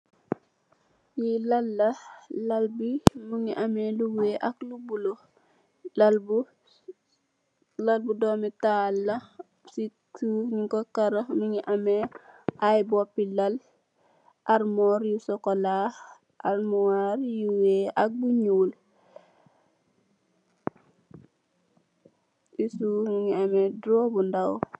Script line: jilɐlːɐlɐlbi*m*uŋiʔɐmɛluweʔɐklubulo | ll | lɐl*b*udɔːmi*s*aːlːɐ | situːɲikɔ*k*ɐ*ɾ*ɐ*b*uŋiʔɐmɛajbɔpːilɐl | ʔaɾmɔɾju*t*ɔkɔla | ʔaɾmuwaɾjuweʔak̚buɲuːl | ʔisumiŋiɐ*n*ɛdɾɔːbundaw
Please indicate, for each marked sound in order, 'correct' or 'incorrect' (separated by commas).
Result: correct, correct, incorrect, correct, correct, incorrect, incorrect, incorrect